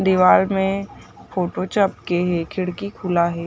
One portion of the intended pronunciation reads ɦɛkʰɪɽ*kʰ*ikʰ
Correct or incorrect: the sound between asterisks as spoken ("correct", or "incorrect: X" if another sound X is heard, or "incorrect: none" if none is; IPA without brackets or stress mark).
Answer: incorrect: k